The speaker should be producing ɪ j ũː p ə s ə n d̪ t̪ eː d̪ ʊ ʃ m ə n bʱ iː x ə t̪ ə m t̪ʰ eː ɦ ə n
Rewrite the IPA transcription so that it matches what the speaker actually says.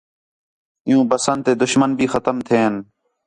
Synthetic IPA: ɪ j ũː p ə s ə n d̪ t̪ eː d̪ ʊ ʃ m ə n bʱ iː x ə t̪ ə m t̪ʰ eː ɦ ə n